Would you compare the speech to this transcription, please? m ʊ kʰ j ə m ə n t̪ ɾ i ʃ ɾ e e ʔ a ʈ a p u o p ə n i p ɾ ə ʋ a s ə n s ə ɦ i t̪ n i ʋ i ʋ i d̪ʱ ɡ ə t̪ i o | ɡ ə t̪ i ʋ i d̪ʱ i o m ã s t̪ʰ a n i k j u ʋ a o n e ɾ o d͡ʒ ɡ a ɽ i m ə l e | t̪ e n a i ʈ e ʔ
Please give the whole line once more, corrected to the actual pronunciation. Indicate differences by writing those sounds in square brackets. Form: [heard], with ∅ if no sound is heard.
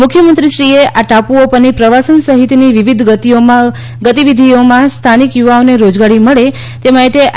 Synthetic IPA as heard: m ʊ kʰ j ə m ə n t̪ ɾ i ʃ ɾ [i] e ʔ a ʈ a p u o p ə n i p ɾ ə ʋ a s ə n s ə ɦ i t̪ n i ʋ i ʋ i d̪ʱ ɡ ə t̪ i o | ɡ ə t̪ i ʋ i d̪ʱ i o m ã s t̪ʰ a n i k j u ʋ a o n e ɾ o d͡ʒ ɡ a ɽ i m ə [ɭ] e | t̪ e [m] a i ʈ e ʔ